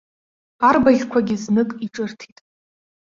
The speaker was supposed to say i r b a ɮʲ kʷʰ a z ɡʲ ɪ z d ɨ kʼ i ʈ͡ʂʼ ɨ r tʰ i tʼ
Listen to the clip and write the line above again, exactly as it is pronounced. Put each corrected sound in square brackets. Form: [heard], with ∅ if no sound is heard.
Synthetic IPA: [a] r b a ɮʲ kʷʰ a [∅] ɡʲ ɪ z [n] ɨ kʼ i ʈ͡ʂʼ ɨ r tʰ i tʼ